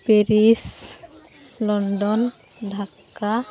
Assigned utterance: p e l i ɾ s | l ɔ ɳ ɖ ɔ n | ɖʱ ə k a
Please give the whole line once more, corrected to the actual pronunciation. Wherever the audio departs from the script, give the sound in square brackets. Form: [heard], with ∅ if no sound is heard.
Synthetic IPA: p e [ɾ] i [∅] s | l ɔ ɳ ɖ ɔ n | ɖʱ [a] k a